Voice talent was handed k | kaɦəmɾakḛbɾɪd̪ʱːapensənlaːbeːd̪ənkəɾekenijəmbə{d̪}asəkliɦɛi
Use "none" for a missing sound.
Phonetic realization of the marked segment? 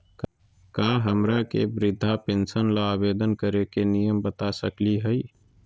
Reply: t̪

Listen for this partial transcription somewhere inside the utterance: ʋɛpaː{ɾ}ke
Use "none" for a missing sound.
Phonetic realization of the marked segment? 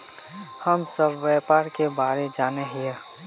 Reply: ɾ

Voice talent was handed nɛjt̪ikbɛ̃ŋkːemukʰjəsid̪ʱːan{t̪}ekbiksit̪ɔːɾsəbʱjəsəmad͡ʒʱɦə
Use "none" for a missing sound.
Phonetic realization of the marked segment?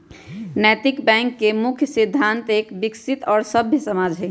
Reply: t̪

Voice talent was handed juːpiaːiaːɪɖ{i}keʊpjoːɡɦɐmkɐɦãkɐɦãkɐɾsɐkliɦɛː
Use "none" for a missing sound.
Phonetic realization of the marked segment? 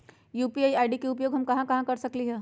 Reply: i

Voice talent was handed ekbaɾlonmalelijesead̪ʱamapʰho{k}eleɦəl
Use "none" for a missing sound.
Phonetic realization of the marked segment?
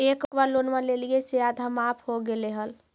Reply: ɡ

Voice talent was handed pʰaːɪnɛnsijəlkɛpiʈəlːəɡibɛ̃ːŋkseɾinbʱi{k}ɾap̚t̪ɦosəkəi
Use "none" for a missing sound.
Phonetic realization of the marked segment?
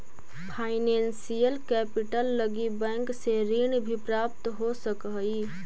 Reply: p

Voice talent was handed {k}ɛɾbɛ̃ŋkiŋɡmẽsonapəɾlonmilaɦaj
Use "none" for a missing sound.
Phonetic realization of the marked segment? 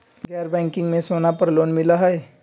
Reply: ɡ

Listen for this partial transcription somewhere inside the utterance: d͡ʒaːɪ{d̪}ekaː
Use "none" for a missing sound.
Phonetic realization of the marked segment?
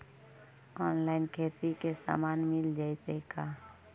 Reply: t̪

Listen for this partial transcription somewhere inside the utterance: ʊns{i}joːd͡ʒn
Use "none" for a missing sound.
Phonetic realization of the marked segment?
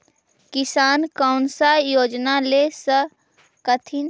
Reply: a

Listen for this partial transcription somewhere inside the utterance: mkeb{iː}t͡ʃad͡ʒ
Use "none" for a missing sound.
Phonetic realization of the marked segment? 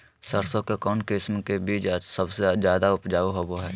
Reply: iː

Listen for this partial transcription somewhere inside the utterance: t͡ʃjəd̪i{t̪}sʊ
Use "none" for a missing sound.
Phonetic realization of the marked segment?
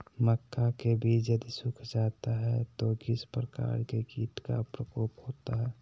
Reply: none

